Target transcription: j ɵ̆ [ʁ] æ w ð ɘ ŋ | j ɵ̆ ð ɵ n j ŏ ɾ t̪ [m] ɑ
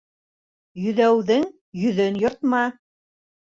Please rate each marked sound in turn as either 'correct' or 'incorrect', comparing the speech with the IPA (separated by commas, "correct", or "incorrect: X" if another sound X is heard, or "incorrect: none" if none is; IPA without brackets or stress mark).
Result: incorrect: ð, correct